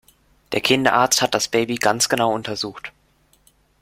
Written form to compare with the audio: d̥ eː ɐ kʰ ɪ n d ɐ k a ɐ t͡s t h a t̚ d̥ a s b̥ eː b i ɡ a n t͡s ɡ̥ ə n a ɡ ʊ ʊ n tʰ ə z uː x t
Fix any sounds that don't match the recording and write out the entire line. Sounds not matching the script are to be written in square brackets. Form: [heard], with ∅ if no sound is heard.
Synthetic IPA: d̥ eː ɐ kʰ ɪ n d ɐ [ʔ] a ɐ t͡s t h a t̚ d̥ a s b̥ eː b i ɡ a n t͡s ɡ̥ ə n a [∅] ʊ ʊ n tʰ [ɐ] z uː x t